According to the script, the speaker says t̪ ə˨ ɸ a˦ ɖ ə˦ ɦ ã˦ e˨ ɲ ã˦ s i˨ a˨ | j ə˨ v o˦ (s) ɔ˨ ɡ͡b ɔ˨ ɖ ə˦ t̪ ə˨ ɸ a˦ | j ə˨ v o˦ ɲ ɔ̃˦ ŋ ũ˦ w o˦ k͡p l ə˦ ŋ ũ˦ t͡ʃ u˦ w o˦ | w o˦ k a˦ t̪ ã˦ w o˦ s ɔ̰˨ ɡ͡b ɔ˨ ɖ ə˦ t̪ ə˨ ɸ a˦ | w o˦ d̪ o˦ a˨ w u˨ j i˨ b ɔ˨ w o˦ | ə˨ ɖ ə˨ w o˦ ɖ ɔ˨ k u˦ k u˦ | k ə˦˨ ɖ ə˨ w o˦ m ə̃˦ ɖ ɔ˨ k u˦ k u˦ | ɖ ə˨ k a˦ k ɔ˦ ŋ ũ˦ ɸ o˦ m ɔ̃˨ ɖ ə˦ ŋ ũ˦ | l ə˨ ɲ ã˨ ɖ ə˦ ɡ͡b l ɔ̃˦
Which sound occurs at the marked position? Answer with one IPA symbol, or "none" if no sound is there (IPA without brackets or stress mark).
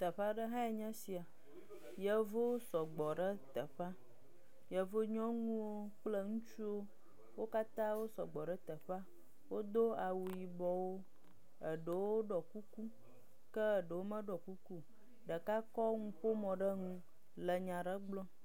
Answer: s